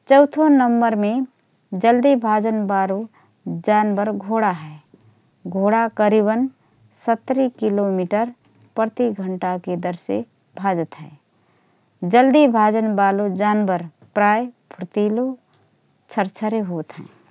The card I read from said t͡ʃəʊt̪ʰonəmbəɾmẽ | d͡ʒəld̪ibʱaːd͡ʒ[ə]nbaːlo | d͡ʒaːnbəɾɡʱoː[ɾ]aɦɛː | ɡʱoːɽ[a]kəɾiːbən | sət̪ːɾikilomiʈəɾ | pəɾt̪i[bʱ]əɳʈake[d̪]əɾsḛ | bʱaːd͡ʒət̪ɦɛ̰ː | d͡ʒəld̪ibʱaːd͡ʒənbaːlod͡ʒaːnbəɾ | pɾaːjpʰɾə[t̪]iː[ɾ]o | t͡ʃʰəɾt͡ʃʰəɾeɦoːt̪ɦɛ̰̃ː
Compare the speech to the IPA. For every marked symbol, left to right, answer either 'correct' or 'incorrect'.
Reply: correct, incorrect: ɽ, correct, incorrect: ɡʱ, correct, correct, incorrect: l

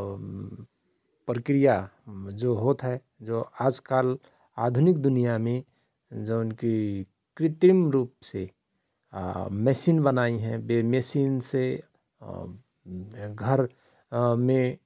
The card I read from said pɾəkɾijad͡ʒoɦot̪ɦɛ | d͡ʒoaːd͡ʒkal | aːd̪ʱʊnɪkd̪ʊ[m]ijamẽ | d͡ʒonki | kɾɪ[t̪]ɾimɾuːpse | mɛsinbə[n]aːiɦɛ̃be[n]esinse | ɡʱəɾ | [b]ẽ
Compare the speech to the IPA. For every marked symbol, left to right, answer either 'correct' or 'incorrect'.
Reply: incorrect: n, correct, correct, incorrect: m, incorrect: m

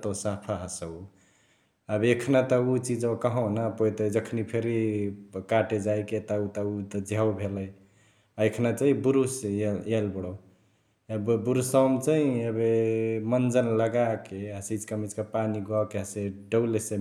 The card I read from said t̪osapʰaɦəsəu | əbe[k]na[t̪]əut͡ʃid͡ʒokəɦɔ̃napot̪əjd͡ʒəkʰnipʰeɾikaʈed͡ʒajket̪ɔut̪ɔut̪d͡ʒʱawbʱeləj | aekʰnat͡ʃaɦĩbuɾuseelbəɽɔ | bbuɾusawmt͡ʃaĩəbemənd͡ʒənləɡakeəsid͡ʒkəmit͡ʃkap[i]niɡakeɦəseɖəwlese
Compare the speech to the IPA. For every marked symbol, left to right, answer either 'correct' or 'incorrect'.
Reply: incorrect: kʰ, correct, incorrect: a

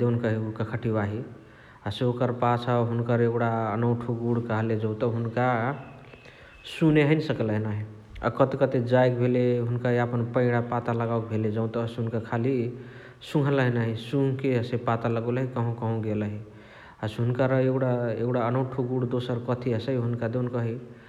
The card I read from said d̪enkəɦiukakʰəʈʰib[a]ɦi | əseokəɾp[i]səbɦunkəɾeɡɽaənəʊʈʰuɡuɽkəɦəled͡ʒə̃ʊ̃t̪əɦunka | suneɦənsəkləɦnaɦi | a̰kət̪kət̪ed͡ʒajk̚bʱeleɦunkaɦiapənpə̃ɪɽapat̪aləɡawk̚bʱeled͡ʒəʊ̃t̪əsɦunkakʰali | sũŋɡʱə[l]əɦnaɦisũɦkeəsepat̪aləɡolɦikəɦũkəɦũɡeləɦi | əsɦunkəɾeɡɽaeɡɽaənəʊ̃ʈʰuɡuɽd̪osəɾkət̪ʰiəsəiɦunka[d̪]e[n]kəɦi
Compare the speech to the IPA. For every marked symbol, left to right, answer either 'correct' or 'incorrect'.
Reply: correct, incorrect: a, correct, correct, correct

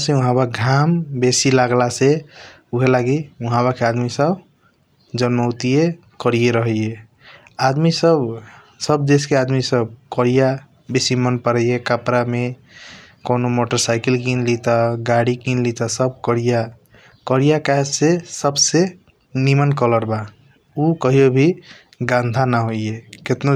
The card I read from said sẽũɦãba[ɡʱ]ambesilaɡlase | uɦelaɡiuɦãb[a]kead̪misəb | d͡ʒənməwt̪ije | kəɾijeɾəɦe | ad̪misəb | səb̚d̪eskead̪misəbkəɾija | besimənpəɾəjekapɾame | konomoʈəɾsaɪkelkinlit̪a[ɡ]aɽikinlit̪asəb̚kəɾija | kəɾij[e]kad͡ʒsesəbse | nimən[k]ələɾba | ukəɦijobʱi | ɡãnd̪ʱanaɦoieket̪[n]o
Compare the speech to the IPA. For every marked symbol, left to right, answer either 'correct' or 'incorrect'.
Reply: correct, correct, correct, incorrect: a, correct, correct

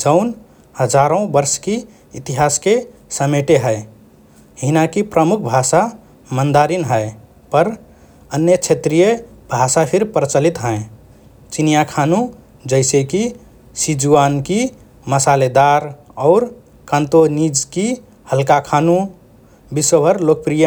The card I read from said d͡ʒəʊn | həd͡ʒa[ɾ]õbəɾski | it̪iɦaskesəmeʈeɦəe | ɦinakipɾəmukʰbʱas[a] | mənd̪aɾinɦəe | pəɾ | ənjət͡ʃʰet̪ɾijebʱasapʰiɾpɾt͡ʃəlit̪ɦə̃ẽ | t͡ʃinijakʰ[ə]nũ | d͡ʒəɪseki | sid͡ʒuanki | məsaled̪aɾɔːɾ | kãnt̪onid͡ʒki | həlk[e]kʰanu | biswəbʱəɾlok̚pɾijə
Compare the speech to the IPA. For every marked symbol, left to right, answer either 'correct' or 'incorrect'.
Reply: correct, correct, incorrect: a, incorrect: a

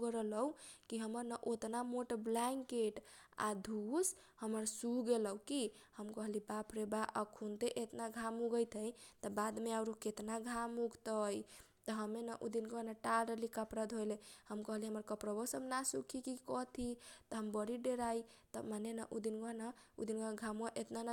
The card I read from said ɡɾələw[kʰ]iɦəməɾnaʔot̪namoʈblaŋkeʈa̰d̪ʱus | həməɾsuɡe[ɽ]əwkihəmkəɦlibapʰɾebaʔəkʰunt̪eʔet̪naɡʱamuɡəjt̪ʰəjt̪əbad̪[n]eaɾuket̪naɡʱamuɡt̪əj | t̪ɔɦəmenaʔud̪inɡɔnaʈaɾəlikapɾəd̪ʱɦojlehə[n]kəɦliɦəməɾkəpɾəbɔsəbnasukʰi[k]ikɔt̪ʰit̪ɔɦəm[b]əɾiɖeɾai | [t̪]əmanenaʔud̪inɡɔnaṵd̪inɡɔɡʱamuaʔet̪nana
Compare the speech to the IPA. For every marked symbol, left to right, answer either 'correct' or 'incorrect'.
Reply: incorrect: k, incorrect: l, incorrect: m, incorrect: m, correct, correct, correct

